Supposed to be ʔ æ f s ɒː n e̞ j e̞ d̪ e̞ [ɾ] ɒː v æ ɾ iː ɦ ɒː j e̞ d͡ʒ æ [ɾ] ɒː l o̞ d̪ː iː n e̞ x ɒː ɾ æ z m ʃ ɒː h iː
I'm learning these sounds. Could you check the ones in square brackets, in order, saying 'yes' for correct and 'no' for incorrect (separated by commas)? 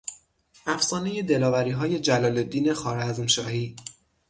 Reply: no, no